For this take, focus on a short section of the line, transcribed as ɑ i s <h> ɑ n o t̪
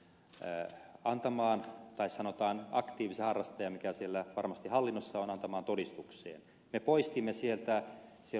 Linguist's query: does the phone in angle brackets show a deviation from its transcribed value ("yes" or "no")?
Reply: yes